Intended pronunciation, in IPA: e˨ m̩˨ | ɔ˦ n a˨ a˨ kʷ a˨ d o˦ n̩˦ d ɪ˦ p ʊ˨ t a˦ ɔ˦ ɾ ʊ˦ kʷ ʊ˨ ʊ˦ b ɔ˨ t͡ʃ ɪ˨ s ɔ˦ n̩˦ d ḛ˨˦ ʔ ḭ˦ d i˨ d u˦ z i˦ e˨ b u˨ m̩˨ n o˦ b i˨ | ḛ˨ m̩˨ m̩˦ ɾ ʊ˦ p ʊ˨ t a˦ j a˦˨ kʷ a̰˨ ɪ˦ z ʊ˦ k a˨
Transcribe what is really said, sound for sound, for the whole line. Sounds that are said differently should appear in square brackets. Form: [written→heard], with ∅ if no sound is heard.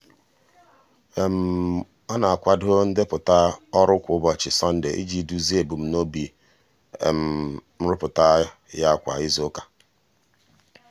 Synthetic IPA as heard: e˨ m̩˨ | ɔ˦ n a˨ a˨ kʷ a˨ d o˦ n̩˦ d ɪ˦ p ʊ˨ t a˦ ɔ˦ ɾ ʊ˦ kʷ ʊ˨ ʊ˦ b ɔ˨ t͡ʃ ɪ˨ s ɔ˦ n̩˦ d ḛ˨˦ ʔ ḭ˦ [d→d͡ʒ] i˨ d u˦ z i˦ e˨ b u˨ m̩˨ n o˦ b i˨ | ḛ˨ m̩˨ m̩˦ ɾ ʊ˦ p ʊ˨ t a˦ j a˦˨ kʷ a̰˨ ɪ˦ z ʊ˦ k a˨